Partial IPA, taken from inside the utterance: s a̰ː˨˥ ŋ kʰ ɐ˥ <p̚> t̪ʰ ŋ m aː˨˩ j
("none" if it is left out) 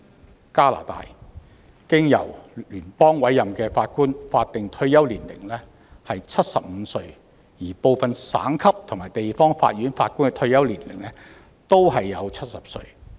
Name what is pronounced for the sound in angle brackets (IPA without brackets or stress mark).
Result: p̚